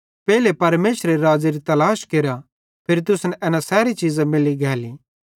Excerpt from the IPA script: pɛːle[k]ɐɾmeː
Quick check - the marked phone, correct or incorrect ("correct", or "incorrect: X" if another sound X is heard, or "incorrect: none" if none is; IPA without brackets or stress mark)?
incorrect: p